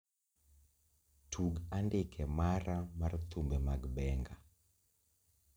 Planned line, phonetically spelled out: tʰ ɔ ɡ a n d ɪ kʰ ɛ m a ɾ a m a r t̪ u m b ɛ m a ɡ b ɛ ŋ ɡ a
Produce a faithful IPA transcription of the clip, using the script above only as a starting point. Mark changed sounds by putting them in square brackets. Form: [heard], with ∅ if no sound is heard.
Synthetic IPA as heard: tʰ [u] ɡ a n d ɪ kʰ ɛ m a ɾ a m a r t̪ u m b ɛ m a ɡ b ɛ ŋ ɡ a